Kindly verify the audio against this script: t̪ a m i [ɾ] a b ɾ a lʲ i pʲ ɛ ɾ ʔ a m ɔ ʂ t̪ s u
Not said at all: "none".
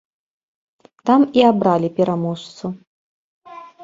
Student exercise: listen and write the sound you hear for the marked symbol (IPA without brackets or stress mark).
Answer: none